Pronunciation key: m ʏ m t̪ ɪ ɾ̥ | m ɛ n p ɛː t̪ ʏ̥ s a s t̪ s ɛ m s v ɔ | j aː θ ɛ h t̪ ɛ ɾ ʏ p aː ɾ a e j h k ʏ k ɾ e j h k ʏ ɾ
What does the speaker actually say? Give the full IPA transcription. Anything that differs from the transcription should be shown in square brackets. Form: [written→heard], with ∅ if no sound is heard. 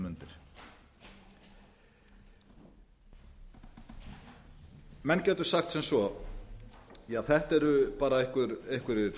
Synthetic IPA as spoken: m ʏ [m→n] t̪ ɪ ɾ̥ | m ɛ n [p→c] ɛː t̪ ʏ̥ s a [s→x] t̪ s ɛ m s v ɔ | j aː θ ɛ h t̪ ɛ ɾ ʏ p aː ɾ a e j h k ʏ [k→∅] ɾ e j h k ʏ ɾ